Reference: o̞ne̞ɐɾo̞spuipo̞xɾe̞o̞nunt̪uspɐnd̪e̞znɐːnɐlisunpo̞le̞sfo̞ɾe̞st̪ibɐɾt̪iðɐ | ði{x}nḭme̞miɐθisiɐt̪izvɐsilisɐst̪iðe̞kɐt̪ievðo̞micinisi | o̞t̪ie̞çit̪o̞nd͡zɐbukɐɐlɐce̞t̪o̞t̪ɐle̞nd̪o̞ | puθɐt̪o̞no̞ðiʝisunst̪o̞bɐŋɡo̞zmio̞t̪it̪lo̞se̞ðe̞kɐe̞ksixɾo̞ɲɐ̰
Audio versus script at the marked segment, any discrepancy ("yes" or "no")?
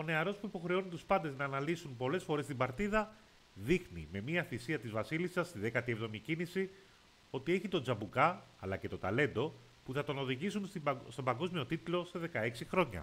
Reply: no